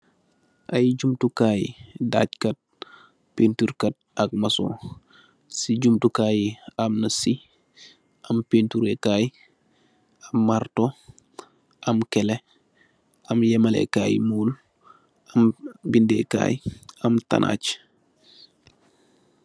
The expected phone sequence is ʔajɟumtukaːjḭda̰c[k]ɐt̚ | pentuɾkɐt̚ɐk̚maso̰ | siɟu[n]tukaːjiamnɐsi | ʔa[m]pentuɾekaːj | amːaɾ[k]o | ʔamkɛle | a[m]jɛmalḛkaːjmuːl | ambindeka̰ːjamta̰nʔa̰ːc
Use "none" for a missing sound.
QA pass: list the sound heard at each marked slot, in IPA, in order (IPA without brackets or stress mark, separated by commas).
k, m, m, t, m